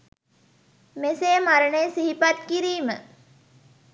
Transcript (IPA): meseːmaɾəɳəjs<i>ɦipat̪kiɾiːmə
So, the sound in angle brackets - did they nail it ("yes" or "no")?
yes